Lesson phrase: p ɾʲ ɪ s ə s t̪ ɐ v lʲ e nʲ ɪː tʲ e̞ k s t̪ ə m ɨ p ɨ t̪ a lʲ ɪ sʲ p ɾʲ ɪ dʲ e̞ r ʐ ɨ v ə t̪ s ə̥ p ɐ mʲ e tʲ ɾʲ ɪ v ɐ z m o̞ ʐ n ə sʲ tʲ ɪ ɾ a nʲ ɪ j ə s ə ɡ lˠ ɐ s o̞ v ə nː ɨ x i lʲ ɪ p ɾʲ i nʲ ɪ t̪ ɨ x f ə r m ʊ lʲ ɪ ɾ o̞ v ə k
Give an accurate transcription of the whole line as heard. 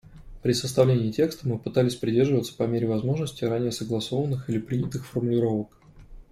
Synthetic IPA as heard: p ɾʲ ɪ s ə s t̪ ɐ v lʲ e nʲ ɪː tʲ e̞ k s t̪ ə m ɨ p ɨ t̪ a lʲ ɪ sʲ p ɾʲ ɪ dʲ e̞ r ʐ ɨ v ə t̪ s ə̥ p ɐ mʲ e ɾʲ ɪ v ɐ z m o̞ ʐ n ə sʲ tʲ ɪ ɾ a nʲ ɪ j ə s ə ɡ lˠ ɐ s o̞ v ə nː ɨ x i lʲ ɪ p ɾʲ i nʲ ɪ t̪ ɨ x f ə r m ʊ lʲ ɪ ɾ o̞ v ə k